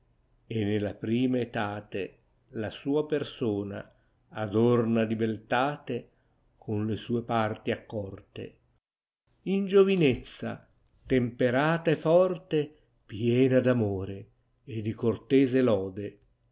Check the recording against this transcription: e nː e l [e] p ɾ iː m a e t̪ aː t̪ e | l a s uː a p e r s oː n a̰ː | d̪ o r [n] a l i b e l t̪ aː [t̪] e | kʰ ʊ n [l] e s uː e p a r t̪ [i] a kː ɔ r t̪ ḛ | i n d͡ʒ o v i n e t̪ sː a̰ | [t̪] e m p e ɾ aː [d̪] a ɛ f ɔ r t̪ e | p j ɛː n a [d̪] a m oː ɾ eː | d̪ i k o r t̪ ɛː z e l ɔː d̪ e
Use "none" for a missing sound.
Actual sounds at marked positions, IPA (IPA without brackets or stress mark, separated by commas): a, n, t̪, l, i, t̪, t̪, d̪